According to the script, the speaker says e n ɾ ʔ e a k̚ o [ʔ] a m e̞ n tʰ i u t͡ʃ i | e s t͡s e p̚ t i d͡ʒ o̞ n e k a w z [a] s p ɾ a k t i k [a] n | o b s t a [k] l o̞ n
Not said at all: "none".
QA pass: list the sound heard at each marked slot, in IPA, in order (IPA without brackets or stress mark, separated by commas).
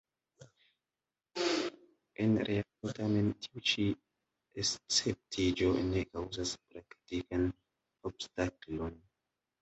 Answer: t, a, a, k